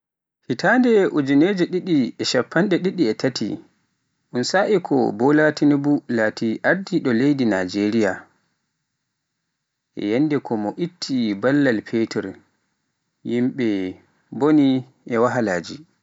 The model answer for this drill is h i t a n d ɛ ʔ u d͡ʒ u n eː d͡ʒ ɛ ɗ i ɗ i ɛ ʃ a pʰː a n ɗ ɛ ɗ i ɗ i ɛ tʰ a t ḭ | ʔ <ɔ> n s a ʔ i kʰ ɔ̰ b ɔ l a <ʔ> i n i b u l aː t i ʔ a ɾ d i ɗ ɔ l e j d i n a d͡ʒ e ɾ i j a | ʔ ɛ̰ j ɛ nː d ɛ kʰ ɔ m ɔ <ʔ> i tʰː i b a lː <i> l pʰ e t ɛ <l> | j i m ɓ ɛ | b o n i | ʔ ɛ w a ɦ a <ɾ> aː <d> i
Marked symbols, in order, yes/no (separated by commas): no, no, yes, no, no, no, no